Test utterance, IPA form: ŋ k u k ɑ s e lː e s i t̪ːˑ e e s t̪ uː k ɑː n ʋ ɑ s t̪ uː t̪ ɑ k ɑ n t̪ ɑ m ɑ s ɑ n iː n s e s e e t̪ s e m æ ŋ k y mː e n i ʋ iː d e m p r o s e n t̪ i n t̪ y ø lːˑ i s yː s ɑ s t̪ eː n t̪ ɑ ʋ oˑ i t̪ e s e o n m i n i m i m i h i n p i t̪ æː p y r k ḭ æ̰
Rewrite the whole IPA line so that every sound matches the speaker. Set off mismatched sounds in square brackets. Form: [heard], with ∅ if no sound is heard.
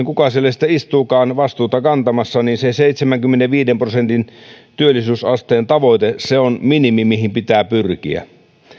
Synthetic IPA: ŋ k u k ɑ s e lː e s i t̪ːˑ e [i] s t̪ uː k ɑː n ʋ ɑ s t̪ uː t̪ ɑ k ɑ n t̪ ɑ m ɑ [sː] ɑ n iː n s e s e [i] t̪ s e m æ ŋ k y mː e n [e] ʋ iː d e m p r o s e n t̪ i n t̪ y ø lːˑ i s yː s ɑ s t̪ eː n t̪ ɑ ʋ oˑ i t̪ e s e o n m i n i m i m i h i [m] p i t̪ æː p y r k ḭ æ̰